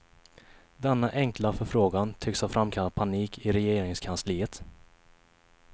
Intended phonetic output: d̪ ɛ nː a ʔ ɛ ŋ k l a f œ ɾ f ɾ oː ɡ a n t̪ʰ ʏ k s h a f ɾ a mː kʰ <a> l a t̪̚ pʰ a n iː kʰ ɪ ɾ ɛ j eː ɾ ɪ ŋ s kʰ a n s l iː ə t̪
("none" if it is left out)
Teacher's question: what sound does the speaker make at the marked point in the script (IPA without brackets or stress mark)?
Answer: a